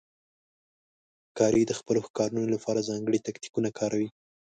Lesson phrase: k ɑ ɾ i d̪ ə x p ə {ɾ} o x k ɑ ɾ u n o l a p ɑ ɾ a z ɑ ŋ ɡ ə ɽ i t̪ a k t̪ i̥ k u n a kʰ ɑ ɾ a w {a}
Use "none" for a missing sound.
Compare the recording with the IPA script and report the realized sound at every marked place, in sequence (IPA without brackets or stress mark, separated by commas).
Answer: l, i